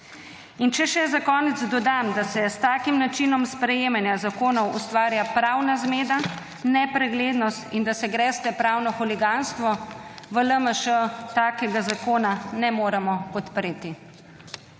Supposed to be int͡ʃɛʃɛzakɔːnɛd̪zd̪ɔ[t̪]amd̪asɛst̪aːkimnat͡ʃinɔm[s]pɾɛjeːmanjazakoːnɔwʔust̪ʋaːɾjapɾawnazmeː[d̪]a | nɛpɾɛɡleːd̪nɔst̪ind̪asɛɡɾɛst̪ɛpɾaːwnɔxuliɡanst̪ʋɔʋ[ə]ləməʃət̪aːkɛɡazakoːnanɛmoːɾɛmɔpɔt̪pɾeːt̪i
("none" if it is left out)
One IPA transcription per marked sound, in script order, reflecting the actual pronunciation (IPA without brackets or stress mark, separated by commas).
d̪, s, d̪, ə